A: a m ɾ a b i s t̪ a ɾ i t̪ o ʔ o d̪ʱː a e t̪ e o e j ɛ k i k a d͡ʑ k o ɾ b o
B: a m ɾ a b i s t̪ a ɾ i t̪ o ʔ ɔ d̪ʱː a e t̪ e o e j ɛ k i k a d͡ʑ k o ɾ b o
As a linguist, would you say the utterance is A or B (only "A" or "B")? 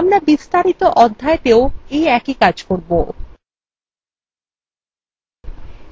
B